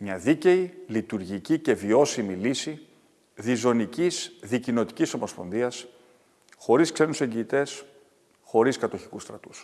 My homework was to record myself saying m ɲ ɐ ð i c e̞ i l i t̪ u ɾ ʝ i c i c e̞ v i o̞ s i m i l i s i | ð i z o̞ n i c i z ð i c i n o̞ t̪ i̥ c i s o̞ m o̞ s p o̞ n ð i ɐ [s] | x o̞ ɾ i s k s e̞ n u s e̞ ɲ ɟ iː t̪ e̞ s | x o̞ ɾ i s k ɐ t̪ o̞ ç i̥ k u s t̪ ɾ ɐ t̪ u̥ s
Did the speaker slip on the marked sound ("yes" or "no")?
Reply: no